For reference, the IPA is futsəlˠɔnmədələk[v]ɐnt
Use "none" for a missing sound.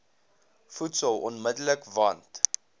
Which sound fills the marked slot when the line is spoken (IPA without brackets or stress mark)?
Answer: v